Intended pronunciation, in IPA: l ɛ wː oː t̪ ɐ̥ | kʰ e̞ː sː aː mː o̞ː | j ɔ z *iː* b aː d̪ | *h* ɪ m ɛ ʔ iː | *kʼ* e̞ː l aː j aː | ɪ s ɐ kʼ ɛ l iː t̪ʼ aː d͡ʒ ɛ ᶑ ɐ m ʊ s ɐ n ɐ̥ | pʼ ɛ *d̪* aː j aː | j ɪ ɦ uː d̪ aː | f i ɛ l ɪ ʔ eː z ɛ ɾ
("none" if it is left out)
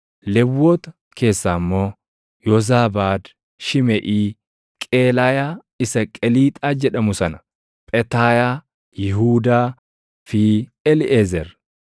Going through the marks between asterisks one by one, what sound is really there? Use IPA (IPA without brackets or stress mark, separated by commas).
aː, ʃ, kʼ, t̪